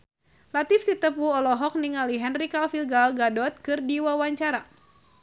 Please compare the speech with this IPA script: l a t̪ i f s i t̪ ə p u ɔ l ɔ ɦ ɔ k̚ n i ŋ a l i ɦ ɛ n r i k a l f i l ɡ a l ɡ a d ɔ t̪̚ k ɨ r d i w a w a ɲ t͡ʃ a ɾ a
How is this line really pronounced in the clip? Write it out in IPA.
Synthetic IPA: l a t̪ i f s i t̪ ə p u ɔ l ɔ ɦ ɔ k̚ n i ŋ a l i ɦ ɛ n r i k a l f i l ɡ a l ɡ a d ɔ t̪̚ k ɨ r d i w a w a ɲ t͡ʃ a ɾ a